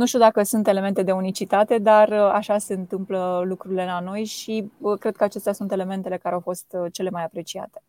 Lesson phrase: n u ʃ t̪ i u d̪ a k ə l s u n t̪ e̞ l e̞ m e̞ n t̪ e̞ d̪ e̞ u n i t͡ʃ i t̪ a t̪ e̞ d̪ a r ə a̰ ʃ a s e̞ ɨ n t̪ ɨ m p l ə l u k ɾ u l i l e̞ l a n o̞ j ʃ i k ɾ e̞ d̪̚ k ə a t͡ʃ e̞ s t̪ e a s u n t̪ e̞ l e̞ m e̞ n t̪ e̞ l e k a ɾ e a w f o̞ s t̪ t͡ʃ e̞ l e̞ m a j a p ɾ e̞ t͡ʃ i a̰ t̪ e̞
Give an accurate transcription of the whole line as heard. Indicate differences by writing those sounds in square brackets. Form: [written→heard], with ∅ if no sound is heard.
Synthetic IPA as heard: n u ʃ t̪ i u d̪ a k ə [l→∅] s u n t̪ e̞ l e̞ m e̞ n t̪ e̞ d̪ e̞ u n i t͡ʃ i t̪ a t̪ e̞ d̪ a r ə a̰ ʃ a s e̞ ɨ n t̪ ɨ m p l ə l u k ɾ u [l→ɾ] i l e̞ l a n o̞ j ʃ i k ɾ e̞ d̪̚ k ə a t͡ʃ e̞ s t̪ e a s u n t̪ e̞ l e̞ m e̞ n t̪ e̞ l e k a ɾ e a w f o̞ s t̪ t͡ʃ e̞ l e̞ m a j a p ɾ e̞ t͡ʃ i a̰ t̪ e̞